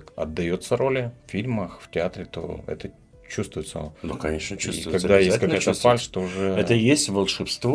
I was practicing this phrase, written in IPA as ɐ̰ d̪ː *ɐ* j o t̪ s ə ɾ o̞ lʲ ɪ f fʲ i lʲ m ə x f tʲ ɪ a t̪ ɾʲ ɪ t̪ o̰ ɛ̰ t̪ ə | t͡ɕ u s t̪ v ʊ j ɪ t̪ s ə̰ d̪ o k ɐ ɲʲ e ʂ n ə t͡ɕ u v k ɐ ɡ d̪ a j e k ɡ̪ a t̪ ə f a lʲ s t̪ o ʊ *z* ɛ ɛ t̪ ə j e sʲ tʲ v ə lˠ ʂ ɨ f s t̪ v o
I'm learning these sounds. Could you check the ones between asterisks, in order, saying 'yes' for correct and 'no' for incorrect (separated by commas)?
yes, no